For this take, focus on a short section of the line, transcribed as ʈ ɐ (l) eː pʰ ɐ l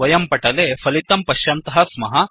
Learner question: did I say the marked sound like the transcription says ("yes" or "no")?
yes